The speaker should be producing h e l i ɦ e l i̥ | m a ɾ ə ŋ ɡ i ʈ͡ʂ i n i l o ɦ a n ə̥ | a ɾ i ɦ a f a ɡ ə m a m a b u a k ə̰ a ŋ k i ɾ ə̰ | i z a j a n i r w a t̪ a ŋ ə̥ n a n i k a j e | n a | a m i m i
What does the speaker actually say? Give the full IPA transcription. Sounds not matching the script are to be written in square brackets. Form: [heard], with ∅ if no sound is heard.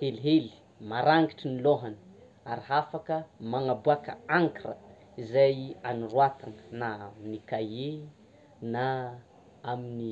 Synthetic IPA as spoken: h e l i ɦ e l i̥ | m a ɾ [a] ŋ ɡ i ʈ͡ʂ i n i l o ɦ a n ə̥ | a ɾ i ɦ a f a [k] ə m a [ŋ] a b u a k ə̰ a ŋ k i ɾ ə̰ | i z a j a n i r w a t̪ a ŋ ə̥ n a n i k a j e | n a | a m i [n] i